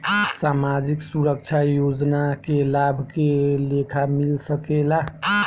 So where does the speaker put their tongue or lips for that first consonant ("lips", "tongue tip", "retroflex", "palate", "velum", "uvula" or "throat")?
tongue tip